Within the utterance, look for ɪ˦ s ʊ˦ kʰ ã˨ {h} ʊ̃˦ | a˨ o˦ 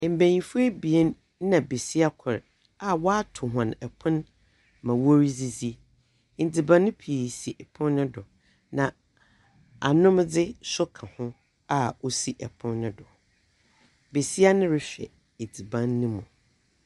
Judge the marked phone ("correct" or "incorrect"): correct